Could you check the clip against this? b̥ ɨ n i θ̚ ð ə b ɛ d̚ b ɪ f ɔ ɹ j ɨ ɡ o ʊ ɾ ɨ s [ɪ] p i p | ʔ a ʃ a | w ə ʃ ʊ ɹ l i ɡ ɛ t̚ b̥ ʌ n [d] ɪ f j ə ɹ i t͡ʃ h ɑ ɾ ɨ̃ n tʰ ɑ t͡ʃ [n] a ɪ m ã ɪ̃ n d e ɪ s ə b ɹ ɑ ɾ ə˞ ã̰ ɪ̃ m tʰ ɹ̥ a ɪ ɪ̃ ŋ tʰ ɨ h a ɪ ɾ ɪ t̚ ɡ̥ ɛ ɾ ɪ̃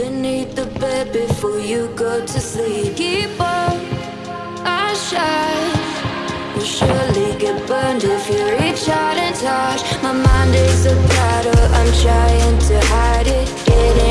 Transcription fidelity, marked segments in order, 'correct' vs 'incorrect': incorrect: i, correct, incorrect: m

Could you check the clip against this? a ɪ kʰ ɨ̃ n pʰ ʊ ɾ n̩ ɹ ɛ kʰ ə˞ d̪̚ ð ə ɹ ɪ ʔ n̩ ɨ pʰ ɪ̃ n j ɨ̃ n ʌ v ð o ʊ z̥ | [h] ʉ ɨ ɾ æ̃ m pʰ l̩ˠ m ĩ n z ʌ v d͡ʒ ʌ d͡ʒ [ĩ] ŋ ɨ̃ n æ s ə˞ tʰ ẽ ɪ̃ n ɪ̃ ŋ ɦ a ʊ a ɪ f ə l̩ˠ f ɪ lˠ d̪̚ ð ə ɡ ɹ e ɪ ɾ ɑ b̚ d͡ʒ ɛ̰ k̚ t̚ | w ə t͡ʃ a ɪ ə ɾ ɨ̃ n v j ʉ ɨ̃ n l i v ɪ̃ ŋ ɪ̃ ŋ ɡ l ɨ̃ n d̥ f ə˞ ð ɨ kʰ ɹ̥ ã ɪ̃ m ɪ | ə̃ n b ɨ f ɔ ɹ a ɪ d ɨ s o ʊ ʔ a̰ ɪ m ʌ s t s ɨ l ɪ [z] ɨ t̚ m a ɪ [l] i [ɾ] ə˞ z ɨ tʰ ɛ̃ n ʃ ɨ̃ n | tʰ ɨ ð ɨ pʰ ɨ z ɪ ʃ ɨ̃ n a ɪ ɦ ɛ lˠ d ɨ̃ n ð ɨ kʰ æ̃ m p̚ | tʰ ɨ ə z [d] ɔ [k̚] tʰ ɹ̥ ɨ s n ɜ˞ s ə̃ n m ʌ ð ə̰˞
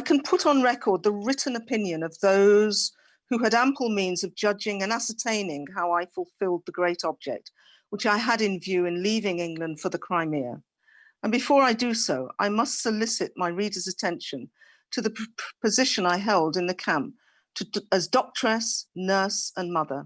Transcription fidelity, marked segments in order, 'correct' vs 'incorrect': correct, incorrect: ɪ̃, incorrect: s, incorrect: ɹ, correct, correct, correct

